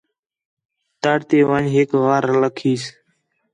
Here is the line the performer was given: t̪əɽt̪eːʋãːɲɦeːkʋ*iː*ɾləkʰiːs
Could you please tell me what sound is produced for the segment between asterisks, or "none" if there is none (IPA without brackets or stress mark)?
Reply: aː